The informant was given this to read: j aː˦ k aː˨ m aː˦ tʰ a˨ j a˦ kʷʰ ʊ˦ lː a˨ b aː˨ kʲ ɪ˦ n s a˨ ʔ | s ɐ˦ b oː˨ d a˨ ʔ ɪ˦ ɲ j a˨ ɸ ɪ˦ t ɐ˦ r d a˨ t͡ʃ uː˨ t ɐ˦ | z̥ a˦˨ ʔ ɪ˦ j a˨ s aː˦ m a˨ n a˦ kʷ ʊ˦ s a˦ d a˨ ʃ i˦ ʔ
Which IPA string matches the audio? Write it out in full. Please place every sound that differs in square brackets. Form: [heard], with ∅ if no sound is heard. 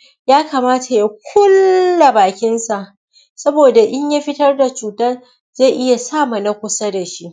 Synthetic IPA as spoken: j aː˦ k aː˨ m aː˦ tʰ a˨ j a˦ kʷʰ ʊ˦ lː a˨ b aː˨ kʲ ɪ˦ n s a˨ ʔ | s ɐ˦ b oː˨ d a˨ ʔ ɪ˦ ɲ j [a˦] ɸ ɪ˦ t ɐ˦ r d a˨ t͡ʃ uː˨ t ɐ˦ | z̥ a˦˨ ʔ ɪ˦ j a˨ s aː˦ m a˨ n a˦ kʷ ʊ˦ s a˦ d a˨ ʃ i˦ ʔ